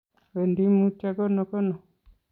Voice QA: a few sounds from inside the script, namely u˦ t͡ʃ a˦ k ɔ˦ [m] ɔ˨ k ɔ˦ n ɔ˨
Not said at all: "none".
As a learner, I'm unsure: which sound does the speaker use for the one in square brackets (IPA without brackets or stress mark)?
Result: n